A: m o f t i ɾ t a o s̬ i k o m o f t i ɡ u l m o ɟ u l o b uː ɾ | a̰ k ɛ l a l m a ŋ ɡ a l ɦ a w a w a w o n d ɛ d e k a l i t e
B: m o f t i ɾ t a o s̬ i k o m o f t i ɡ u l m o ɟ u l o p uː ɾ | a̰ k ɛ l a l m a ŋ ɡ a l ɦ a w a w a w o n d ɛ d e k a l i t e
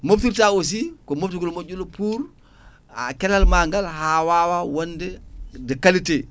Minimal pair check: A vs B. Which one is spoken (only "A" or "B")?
B